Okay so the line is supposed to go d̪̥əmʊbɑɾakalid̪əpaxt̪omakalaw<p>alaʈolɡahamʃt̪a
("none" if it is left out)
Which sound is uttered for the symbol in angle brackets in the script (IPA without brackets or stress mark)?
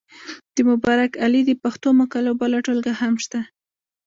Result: b